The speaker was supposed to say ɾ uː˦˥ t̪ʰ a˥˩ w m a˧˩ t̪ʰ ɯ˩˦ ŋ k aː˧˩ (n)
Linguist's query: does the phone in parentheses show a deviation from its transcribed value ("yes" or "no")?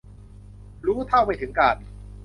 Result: no